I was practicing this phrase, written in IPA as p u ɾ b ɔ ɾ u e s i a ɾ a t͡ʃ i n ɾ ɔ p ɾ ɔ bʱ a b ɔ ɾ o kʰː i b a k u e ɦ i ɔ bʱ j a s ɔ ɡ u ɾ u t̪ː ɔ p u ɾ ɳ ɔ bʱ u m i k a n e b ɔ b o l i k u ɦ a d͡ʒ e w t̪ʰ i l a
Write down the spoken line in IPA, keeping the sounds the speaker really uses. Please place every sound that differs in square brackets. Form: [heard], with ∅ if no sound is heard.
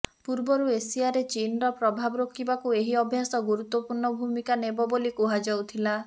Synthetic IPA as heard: p u ɾ b ɔ ɾ u e s i a ɾ [e] t͡ʃ i n ɾ ɔ p ɾ ɔ bʱ a b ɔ ɾ o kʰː i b a k u e ɦ i ɔ bʱ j a s ɔ ɡ u ɾ u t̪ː ɔ p u ɾ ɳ ɔ bʱ u m i k a n e b ɔ b o l i k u ɦ a d͡ʒ [a] w t̪ʰ i l a